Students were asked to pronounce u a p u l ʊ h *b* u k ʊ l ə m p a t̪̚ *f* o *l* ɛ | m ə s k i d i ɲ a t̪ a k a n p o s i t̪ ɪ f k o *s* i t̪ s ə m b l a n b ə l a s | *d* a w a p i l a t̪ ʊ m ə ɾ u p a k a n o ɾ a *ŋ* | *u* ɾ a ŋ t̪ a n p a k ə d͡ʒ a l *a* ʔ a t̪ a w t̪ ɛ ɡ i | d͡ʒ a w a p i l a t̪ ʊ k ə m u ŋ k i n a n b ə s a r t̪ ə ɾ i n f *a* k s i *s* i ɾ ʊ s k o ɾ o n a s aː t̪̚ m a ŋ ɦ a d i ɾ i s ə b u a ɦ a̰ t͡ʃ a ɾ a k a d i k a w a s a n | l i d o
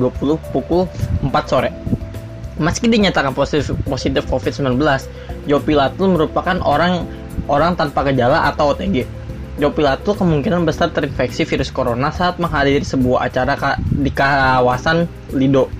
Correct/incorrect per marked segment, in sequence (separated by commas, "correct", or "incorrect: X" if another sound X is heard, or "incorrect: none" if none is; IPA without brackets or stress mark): incorrect: p, incorrect: s, incorrect: ɾ, incorrect: f, incorrect: d͡ʒ, correct, incorrect: o, correct, incorrect: ɛ, incorrect: f